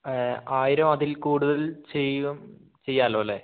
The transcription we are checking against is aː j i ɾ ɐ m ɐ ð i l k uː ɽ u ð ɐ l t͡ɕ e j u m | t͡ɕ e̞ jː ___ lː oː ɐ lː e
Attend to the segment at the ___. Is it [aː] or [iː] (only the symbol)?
aː